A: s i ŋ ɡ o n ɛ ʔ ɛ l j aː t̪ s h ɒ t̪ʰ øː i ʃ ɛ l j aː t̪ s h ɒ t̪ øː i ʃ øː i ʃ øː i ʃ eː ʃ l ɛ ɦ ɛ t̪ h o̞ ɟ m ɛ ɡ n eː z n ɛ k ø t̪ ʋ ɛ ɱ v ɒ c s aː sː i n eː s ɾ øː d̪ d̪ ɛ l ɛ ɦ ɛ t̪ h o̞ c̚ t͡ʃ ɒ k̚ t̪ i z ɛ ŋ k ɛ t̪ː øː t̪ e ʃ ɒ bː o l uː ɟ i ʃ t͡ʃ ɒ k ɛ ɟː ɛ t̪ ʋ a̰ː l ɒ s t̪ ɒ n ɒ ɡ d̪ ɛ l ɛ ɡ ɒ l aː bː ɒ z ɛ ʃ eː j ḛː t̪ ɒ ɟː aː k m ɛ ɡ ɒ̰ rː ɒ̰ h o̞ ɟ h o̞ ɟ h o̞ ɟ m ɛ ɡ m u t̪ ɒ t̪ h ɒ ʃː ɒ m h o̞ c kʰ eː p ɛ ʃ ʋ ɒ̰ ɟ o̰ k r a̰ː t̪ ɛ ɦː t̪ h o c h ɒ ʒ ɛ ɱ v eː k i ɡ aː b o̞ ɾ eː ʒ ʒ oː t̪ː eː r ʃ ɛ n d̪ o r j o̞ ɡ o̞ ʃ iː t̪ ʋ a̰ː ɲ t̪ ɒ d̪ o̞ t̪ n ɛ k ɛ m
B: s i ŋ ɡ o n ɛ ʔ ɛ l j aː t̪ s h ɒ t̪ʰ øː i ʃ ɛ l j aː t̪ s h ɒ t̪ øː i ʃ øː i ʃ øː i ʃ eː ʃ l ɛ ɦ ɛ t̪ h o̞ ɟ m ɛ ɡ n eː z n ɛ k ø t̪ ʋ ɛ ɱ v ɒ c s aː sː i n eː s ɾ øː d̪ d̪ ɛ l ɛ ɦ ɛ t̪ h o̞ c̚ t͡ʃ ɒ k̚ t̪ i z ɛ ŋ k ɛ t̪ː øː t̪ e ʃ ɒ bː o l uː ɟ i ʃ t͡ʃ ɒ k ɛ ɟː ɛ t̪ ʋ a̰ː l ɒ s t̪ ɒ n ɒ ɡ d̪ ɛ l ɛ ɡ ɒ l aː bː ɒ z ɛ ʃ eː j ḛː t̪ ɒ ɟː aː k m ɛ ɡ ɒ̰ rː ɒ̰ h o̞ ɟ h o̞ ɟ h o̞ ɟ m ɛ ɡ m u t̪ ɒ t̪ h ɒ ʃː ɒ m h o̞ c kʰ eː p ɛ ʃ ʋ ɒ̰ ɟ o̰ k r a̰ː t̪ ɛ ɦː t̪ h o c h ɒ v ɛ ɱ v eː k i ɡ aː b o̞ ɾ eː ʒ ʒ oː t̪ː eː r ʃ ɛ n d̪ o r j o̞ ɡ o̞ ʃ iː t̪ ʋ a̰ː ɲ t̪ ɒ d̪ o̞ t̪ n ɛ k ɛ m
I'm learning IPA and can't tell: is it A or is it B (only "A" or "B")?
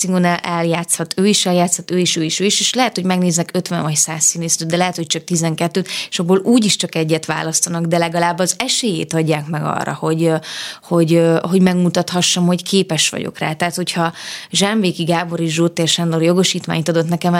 A